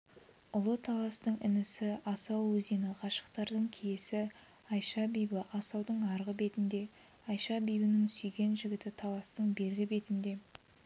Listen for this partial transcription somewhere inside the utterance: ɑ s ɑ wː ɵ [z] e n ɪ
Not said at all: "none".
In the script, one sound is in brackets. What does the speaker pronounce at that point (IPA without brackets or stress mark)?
z